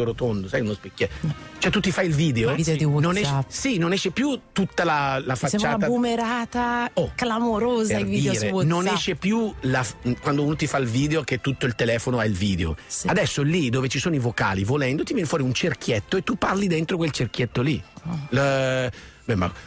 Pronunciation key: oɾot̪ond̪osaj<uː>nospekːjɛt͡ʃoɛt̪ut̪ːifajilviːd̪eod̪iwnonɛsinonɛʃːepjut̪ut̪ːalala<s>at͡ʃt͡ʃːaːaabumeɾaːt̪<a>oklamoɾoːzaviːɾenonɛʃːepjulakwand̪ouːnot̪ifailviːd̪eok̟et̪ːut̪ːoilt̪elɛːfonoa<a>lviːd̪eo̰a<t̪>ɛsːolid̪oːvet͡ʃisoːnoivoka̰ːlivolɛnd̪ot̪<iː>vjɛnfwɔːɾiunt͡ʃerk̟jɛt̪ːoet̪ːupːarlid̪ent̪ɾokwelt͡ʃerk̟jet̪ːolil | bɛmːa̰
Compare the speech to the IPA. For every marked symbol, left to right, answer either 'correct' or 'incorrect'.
incorrect: u, incorrect: f, correct, incorrect: i, incorrect: d̪, incorrect: i

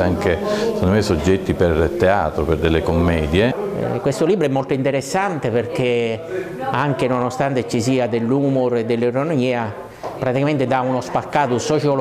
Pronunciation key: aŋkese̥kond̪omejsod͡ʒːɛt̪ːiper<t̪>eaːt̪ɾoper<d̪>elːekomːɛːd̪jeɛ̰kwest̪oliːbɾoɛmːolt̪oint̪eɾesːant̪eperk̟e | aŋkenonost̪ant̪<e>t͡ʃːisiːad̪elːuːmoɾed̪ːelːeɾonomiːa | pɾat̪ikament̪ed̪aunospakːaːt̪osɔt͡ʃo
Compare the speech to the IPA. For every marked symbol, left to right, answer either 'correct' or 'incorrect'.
correct, correct, correct

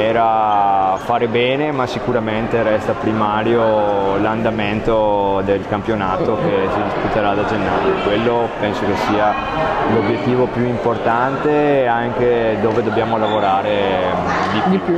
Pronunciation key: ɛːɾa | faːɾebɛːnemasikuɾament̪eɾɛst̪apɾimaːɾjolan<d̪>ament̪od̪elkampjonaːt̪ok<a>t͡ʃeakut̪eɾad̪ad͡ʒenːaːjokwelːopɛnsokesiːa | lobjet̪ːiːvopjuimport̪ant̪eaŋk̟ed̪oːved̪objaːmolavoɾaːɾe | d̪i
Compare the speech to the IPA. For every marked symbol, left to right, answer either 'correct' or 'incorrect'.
correct, incorrect: e

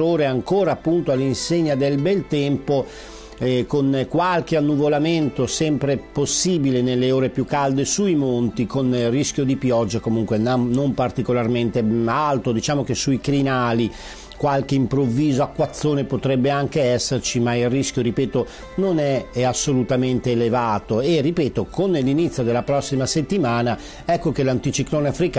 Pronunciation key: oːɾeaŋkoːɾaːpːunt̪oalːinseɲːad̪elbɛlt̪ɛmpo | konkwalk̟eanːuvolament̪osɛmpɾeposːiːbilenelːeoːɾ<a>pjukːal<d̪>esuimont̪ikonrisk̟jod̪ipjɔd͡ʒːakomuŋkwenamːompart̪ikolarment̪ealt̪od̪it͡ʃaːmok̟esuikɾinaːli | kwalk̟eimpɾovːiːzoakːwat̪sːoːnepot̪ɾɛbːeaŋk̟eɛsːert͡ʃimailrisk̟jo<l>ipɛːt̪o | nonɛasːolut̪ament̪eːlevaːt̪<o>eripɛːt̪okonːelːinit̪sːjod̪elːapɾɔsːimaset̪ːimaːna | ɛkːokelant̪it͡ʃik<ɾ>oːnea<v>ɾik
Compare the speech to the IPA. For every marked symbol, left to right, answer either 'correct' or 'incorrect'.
incorrect: e, correct, incorrect: ɾ, correct, incorrect: l, incorrect: f

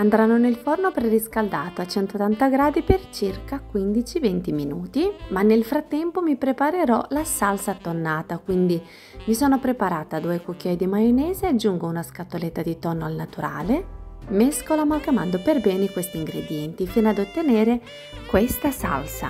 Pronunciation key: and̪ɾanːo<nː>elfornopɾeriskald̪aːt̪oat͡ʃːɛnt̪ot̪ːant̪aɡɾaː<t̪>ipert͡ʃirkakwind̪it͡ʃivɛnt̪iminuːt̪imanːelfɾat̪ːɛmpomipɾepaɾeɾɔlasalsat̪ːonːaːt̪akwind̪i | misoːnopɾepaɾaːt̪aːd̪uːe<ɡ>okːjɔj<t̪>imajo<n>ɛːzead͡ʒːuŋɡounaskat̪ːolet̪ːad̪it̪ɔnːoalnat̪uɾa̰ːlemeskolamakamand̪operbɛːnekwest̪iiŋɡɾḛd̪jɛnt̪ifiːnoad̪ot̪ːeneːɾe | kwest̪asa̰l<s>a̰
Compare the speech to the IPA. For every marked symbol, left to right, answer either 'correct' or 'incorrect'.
incorrect: n, incorrect: d̪, incorrect: k, incorrect: d̪, correct, correct

